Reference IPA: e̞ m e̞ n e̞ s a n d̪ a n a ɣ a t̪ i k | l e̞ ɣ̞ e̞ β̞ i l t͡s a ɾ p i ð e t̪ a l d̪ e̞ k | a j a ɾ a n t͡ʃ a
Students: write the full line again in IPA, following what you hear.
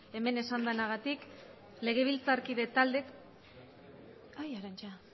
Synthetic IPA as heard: e̞ m e̞ n e̞ s a n d̪ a n a ɣ a t̪ i k | l e̞ ɣ̞ e̞ β̞ i l t͡s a ɾ k i ð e t̪ a l d̪ e̞ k | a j a ɾ a n t͡ʃ a